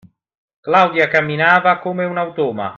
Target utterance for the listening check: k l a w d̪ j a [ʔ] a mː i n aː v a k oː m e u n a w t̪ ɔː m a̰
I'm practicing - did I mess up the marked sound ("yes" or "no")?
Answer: yes